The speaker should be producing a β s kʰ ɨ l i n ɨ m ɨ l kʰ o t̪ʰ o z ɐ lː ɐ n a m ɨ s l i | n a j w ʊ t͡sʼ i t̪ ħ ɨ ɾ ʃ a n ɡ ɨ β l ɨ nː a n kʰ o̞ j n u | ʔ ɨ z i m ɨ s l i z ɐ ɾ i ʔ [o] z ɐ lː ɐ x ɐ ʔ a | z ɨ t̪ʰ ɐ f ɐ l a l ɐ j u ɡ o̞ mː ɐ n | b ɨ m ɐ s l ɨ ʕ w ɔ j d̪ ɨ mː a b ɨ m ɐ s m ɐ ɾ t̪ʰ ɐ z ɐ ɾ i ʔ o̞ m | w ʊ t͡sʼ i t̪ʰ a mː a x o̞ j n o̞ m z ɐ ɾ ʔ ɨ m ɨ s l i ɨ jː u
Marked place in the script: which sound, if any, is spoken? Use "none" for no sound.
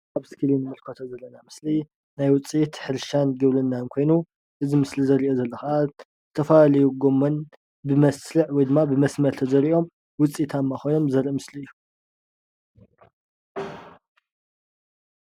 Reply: o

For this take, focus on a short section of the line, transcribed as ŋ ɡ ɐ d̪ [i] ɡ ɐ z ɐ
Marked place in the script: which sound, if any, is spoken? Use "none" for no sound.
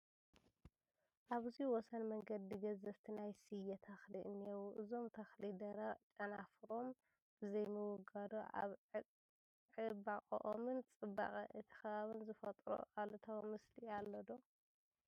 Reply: i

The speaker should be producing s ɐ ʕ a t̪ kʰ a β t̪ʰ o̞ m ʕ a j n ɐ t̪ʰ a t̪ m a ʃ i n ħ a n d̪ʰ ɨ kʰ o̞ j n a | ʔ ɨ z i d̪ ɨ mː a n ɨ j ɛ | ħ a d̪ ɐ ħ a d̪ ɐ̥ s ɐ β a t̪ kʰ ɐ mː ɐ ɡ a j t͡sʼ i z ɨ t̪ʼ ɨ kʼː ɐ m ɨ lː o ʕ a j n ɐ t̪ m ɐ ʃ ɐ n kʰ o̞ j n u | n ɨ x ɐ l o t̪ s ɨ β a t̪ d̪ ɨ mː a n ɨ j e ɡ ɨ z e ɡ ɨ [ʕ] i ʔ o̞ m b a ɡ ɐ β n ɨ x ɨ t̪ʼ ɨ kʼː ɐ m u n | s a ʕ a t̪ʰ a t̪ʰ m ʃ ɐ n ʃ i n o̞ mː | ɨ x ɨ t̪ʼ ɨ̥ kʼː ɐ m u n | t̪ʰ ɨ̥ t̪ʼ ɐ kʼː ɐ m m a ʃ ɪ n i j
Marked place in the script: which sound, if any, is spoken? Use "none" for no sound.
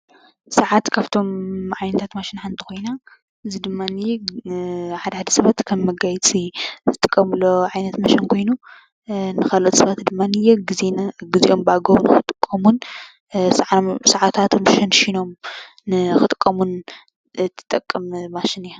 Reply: z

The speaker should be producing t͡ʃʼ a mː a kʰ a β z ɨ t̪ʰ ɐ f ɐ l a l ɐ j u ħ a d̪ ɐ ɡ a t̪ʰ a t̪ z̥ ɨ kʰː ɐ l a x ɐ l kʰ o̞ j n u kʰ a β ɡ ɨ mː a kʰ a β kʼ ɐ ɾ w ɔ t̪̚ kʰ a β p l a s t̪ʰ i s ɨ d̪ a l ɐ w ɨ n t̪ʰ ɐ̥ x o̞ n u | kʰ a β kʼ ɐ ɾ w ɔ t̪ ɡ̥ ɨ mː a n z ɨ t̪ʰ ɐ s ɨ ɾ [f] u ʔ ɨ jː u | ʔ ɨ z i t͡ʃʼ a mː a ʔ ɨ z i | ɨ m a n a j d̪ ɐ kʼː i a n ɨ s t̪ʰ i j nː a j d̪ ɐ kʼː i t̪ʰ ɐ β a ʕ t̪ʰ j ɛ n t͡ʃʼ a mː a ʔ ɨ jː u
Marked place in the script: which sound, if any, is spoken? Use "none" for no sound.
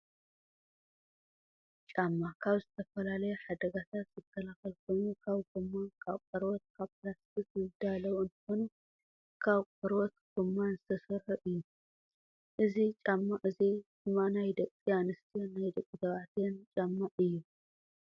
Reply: ħ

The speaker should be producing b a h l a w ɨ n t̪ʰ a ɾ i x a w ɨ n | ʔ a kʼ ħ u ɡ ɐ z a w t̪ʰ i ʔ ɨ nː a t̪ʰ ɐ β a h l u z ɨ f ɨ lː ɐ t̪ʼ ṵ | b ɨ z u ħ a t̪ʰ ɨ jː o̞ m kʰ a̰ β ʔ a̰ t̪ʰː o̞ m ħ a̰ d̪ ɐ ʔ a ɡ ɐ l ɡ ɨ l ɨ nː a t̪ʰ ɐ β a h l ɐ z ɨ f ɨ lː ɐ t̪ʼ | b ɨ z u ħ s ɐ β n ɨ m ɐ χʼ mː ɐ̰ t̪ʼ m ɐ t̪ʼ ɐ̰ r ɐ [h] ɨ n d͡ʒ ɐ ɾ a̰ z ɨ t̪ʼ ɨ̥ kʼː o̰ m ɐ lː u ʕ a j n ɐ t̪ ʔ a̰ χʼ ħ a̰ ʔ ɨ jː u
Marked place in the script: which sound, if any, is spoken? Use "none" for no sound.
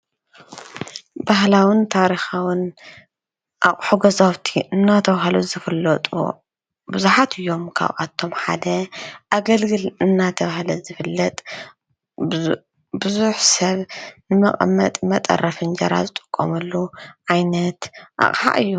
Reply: f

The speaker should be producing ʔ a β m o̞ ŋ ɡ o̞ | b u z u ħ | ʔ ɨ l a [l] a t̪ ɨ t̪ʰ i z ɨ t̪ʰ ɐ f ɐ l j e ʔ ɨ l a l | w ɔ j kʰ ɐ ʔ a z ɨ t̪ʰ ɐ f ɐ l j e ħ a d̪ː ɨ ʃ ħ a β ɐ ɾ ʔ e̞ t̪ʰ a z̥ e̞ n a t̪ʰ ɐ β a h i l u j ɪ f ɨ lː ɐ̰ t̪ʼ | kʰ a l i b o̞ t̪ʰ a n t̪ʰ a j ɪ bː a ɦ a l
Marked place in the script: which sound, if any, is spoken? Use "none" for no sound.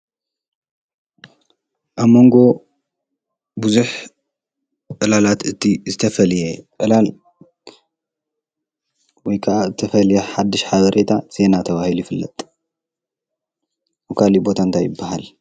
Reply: l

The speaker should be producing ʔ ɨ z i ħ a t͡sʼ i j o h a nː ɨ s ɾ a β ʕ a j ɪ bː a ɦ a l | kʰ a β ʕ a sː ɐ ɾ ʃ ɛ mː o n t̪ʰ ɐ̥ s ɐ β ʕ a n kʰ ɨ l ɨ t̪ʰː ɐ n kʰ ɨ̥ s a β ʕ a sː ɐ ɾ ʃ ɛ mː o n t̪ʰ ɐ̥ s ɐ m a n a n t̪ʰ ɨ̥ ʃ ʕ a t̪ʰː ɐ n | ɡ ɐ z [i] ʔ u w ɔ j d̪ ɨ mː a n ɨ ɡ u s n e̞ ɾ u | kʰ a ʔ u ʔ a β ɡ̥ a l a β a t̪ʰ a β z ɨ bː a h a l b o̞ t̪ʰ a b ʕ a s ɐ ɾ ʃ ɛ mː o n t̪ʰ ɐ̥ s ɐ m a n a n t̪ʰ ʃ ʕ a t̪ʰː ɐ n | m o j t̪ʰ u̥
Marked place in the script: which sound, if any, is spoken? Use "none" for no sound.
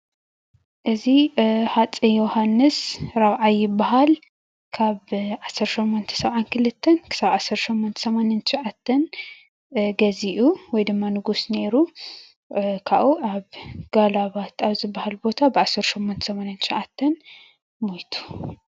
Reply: i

